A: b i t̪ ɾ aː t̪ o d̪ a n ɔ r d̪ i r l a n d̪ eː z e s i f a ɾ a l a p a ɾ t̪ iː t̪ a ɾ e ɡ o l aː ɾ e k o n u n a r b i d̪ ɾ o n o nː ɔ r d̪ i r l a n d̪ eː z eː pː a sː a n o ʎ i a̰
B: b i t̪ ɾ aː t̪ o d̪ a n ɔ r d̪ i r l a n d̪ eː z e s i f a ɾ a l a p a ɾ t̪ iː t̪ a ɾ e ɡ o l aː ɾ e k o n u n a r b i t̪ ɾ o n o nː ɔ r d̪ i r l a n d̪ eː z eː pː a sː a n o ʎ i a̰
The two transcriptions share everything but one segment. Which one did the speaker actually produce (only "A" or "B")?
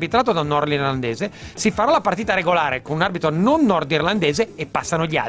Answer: B